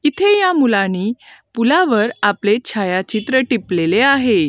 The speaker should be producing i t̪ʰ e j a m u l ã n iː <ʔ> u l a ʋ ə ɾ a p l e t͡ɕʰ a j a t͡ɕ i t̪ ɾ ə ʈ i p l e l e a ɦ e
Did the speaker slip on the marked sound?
yes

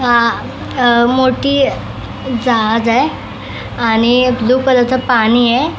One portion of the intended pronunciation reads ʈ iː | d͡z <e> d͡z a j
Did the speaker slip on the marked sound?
yes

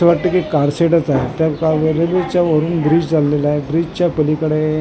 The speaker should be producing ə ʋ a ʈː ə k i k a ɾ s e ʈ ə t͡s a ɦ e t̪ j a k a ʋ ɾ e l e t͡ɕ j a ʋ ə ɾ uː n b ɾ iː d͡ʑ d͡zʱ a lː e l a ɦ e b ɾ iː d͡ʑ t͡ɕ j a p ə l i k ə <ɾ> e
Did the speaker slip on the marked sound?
yes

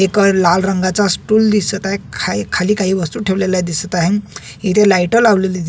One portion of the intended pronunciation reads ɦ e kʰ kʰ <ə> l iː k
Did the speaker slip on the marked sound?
yes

